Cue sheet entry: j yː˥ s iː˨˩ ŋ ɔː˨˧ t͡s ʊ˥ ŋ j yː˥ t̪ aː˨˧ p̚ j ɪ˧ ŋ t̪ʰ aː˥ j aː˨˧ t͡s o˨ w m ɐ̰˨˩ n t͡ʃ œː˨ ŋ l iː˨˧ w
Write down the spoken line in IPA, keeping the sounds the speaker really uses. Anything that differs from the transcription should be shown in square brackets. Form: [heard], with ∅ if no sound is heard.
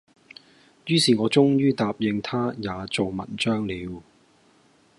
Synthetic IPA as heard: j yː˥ s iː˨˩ ŋ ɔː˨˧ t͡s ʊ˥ ŋ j yː˥ t̪ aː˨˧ p̚ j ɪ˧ ŋ t̪ʰ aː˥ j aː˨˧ t͡s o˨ w m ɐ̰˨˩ n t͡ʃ [œː˥] ŋ l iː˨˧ w